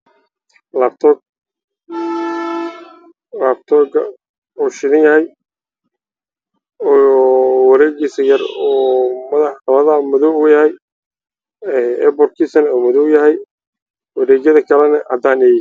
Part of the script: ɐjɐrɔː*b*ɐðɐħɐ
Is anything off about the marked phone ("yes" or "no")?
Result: yes